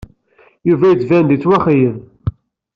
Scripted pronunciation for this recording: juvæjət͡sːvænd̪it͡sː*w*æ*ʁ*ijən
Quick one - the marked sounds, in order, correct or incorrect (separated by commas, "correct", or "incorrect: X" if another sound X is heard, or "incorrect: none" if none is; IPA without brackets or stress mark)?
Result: correct, incorrect: χ